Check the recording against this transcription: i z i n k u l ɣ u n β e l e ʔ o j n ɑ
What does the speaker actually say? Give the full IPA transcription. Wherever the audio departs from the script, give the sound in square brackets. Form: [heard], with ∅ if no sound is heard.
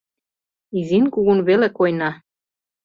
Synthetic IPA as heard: i z i n k u [∅] ɣ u n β e l e [k] o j n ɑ